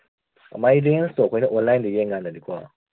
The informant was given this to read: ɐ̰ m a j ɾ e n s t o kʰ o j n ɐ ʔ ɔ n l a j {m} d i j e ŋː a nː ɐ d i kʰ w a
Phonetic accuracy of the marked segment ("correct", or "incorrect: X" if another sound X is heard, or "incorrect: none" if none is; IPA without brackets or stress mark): incorrect: n